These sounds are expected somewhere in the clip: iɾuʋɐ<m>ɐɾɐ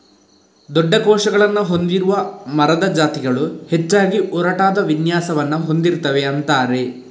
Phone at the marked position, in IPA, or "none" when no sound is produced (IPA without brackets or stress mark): m